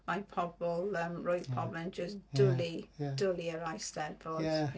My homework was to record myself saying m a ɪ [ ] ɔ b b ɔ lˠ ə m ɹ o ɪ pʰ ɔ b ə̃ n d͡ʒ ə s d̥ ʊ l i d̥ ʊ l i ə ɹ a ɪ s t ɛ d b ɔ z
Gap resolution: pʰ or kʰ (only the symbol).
pʰ